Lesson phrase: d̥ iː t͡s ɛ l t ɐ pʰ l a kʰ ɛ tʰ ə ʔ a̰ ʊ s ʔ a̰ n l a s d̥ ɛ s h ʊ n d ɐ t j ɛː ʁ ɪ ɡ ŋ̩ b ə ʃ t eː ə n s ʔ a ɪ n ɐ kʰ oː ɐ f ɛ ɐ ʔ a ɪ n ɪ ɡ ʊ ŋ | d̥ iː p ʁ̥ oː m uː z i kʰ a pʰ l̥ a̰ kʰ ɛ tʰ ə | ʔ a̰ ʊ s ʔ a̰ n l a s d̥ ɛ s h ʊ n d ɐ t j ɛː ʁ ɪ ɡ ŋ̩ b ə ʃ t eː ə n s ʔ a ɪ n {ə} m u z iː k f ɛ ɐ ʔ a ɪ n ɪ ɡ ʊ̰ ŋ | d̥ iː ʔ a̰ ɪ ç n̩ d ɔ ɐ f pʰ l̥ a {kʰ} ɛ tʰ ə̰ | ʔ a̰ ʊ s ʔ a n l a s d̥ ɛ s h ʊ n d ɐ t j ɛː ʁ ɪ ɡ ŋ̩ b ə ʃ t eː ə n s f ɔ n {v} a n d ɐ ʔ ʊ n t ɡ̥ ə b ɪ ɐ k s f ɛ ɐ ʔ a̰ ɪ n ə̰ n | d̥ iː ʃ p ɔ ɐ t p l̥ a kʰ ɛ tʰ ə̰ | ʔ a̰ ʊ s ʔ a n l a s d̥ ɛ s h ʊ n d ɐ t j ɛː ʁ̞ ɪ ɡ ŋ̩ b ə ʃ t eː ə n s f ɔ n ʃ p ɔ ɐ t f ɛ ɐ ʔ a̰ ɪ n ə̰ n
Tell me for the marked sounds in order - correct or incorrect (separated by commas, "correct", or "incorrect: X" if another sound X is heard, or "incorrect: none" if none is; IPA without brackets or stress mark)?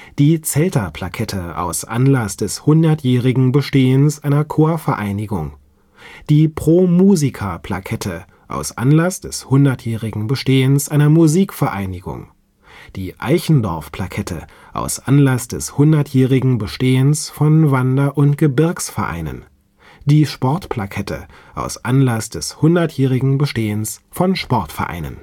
incorrect: ɐ, correct, correct